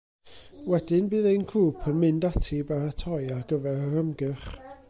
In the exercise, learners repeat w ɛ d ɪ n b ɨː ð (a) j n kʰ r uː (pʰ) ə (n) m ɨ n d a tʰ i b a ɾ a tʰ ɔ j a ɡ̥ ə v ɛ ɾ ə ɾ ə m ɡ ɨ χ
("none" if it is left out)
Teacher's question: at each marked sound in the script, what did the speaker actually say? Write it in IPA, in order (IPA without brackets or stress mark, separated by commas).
e, pʰ, n